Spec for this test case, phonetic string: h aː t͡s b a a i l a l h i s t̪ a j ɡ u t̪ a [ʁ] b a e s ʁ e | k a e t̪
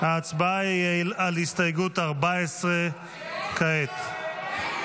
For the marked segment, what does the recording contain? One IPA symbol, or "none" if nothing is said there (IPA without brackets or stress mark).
ʁ